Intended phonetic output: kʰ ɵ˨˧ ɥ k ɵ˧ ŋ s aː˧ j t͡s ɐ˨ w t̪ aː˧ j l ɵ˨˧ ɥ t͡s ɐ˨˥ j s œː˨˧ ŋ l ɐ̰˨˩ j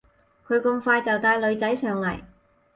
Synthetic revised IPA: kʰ ɵ˨˧ ɥ k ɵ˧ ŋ f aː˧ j t͡s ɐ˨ w t̪ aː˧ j l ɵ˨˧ ɥ t͡s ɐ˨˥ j s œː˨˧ ŋ l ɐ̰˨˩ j